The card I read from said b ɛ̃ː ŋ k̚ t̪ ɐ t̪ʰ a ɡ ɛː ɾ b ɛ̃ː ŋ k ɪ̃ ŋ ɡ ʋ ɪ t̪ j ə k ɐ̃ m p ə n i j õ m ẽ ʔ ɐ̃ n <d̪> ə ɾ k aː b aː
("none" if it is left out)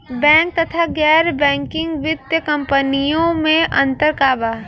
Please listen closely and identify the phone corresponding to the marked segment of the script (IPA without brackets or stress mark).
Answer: t̪